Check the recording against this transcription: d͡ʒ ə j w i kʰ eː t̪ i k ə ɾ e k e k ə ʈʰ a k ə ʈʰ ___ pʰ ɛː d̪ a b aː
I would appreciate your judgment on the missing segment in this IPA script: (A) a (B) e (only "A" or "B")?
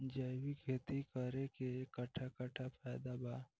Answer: A